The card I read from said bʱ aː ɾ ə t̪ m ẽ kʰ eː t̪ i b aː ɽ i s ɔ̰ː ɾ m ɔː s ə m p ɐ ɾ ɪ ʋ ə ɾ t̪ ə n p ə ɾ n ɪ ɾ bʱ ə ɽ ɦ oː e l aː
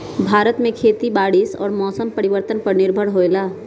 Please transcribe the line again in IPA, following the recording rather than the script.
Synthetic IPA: bʱ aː ɾ ə t̪ m ẽ kʰ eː t̪ i b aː ɽ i s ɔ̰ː ɾ m ɔː s ə m p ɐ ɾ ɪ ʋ ə ɾ t̪ ə n p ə ɾ n ɪ ɾ bʱ ə ɽ ɦ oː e l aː